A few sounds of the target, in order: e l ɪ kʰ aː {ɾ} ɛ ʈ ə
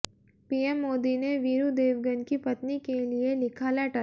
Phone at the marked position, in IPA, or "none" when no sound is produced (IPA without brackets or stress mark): l